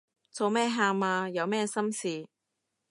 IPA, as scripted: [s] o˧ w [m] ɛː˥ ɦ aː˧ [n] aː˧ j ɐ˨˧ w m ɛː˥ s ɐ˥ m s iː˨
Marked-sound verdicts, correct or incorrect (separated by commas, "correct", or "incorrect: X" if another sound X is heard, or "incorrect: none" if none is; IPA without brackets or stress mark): incorrect: t͡s, correct, incorrect: m